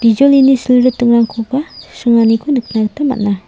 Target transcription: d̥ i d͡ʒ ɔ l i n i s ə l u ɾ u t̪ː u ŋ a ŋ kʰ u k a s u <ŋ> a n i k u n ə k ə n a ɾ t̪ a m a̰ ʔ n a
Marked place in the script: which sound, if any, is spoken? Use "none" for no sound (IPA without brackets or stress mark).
ŋ